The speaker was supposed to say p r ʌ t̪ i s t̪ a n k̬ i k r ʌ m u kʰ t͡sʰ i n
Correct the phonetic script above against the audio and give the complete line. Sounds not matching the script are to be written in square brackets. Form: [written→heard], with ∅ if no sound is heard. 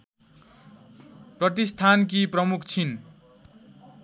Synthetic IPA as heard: p r ʌ t̪ i s [t̪→t̪ʰ] a n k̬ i [k→p] r ʌ m u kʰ t͡sʰ i n